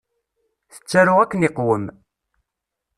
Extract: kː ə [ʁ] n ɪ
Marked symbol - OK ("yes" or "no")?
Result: no